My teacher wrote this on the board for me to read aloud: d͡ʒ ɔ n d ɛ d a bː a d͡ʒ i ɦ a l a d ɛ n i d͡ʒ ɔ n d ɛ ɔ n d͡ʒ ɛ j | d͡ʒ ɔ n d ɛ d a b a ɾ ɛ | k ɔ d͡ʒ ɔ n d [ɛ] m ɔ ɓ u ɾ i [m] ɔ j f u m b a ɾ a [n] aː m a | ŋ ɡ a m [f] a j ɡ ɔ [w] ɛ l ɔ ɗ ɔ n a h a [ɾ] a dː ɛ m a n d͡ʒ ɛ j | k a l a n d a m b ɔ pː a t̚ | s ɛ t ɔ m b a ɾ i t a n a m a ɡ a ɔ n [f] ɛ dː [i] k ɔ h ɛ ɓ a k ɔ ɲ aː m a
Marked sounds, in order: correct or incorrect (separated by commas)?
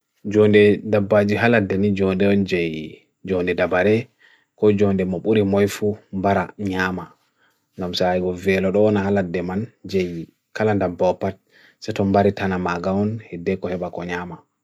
correct, correct, incorrect, incorrect, incorrect, incorrect, incorrect, incorrect